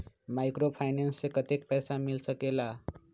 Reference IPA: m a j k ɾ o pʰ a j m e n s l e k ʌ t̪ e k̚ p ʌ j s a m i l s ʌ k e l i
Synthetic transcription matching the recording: m a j k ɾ o pʰ a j n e n s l e k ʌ t̪ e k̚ p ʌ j s a m i l s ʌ k e l a